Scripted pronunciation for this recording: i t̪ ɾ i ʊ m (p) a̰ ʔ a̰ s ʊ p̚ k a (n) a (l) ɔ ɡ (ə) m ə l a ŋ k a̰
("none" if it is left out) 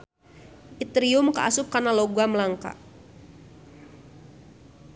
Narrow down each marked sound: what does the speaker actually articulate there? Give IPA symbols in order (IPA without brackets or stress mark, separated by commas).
k, n, l, a